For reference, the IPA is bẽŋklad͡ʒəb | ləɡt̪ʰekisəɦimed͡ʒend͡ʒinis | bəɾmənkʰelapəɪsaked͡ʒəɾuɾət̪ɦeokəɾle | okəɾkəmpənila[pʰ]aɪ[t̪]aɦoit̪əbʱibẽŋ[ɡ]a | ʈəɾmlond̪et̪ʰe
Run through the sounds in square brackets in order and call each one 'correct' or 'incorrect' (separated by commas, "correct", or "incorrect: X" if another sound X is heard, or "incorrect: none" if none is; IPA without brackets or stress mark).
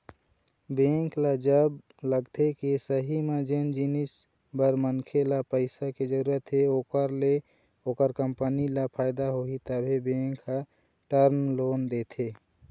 correct, incorrect: d̪, incorrect: k